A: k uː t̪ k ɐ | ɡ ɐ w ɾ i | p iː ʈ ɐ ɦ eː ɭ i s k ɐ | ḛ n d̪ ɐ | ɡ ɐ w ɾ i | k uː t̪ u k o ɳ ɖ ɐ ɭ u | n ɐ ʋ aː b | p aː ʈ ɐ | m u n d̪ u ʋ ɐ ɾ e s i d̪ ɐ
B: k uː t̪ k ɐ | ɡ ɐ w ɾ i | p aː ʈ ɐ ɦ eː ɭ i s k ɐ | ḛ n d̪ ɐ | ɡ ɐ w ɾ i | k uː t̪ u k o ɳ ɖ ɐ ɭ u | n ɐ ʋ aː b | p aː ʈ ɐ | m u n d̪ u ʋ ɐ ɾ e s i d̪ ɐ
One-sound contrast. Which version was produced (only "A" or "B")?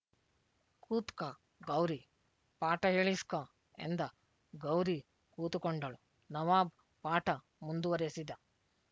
B